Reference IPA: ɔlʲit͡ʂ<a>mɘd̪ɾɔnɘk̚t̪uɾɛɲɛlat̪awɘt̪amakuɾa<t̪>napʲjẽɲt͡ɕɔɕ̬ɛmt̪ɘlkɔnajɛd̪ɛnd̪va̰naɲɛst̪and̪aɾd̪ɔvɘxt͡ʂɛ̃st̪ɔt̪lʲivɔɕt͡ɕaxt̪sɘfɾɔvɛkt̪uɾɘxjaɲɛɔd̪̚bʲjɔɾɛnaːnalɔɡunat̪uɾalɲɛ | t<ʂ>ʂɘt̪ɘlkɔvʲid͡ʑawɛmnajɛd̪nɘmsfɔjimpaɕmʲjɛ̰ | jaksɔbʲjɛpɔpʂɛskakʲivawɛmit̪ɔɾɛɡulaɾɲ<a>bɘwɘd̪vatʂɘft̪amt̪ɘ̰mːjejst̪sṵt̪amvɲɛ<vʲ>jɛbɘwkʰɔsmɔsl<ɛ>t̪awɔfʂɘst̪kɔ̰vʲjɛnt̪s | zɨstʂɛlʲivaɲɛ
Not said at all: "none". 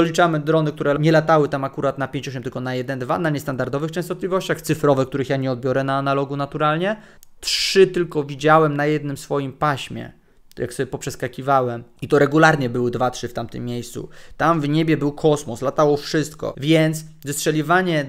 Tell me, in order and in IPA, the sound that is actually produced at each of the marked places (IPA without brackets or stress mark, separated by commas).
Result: a, t̪, ʂ, ɛ, bʲ, a